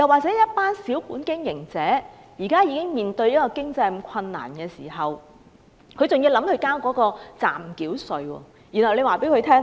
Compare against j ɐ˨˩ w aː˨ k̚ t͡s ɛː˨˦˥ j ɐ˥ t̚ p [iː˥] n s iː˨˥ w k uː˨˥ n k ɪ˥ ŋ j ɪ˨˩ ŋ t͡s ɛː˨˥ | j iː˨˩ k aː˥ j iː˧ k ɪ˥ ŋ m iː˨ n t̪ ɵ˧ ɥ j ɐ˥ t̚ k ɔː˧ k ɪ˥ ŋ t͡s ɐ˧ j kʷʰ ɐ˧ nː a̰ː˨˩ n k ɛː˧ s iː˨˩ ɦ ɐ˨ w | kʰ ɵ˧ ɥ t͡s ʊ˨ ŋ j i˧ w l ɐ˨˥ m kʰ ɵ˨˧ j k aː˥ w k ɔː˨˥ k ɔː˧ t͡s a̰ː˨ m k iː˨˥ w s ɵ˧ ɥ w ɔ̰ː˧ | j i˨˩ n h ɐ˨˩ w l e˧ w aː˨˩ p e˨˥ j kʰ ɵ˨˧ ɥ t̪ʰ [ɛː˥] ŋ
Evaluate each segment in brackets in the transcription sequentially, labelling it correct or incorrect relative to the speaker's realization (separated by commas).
incorrect, correct